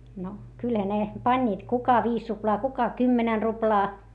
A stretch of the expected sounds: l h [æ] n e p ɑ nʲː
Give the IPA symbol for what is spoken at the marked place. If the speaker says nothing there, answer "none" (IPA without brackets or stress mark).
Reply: æ